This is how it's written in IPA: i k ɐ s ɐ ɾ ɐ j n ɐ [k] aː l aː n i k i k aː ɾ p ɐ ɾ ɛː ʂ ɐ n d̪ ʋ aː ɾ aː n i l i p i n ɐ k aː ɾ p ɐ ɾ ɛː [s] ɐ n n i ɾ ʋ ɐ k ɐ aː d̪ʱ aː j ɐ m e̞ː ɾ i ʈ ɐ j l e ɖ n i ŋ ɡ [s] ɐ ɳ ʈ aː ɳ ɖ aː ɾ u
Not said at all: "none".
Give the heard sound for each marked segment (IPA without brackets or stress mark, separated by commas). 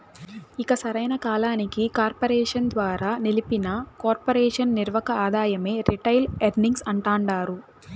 k, ʂ, s